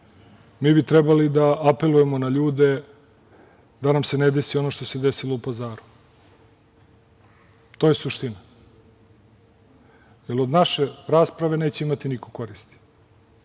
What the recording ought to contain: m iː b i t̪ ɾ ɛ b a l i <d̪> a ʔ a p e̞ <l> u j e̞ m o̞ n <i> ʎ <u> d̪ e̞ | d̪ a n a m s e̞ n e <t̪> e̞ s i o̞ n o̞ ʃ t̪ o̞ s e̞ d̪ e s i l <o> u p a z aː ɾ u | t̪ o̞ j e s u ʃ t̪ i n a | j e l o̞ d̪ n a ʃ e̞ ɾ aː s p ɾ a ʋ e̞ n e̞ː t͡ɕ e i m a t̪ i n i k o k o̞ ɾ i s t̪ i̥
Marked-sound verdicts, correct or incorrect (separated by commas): correct, correct, incorrect, incorrect, incorrect, correct